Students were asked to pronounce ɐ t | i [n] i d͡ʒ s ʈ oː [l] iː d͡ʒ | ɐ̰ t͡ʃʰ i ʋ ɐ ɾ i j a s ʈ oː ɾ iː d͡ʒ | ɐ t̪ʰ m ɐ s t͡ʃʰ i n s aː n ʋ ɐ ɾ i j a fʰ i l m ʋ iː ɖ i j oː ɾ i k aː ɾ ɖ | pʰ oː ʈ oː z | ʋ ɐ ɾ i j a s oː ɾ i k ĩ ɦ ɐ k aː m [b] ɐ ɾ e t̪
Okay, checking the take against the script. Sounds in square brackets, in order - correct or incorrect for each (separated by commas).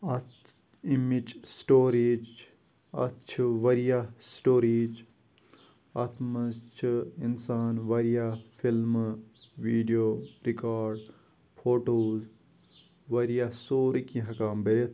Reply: incorrect, incorrect, correct